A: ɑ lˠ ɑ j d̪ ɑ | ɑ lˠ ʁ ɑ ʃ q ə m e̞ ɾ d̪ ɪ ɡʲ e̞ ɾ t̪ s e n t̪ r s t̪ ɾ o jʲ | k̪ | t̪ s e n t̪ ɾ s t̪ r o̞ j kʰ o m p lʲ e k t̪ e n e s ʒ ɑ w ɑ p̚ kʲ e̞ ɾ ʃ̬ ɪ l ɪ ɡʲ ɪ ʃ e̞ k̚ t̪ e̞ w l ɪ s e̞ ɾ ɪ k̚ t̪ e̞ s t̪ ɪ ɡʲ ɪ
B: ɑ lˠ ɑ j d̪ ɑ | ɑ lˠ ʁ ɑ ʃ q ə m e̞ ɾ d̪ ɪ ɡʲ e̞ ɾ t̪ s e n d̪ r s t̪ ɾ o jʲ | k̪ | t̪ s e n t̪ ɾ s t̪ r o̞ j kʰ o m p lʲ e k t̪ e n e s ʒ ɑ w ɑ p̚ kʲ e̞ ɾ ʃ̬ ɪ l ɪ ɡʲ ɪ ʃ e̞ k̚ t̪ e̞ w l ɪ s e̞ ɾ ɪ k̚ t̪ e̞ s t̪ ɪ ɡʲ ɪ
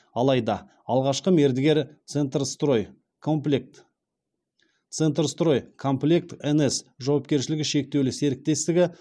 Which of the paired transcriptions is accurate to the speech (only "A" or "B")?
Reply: A